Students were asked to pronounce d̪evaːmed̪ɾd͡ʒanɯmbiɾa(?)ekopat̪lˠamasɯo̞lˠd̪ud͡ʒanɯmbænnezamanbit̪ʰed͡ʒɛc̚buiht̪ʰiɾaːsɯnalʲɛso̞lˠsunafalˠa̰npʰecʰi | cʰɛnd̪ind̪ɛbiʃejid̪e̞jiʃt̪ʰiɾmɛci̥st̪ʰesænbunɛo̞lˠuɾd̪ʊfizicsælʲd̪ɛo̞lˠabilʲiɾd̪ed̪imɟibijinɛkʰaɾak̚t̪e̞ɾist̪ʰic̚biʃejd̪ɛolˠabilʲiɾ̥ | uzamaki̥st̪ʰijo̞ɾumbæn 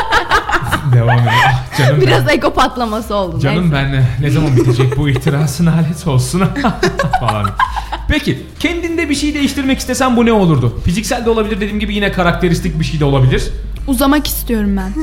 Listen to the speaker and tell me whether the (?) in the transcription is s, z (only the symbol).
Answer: z